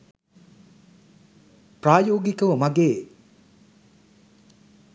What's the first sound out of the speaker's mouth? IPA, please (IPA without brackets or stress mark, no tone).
p